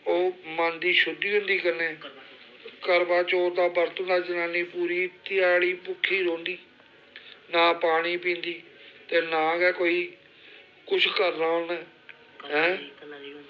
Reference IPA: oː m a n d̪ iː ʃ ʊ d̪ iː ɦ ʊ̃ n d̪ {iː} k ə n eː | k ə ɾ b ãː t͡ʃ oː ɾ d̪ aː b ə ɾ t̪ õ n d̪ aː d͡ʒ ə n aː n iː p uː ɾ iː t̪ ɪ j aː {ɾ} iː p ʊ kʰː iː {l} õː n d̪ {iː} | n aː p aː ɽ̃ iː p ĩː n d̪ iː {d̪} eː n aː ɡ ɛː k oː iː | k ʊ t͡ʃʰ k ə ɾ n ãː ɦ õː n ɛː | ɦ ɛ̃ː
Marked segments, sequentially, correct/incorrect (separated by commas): correct, incorrect, incorrect, correct, incorrect